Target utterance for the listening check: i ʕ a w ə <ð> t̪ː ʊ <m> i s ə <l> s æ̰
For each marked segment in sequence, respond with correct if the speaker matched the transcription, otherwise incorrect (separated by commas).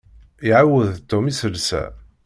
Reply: correct, correct, correct